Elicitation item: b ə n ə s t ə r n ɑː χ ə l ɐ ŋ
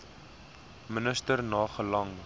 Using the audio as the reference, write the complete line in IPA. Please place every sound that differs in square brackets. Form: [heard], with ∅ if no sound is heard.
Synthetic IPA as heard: [m] ə n ə s t ə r n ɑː χ ə l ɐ ŋ